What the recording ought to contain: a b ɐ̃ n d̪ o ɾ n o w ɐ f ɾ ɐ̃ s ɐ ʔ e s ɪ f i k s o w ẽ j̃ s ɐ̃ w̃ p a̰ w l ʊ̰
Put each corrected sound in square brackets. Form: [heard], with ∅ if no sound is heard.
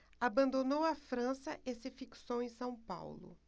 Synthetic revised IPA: a b ɐ̃ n d̪ o [∅] n o w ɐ f ɾ ɐ̃ s ɐ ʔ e s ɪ f i k s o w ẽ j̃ s ɐ̃ w̃ p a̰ w l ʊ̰